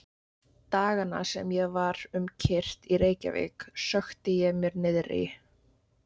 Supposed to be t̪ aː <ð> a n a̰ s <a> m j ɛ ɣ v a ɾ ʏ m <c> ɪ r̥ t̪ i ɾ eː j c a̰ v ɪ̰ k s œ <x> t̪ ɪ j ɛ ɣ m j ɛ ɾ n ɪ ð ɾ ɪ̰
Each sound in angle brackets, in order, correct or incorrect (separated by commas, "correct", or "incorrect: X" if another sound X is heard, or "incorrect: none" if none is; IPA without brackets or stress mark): incorrect: ɣ, incorrect: ɛ, incorrect: cʰ, correct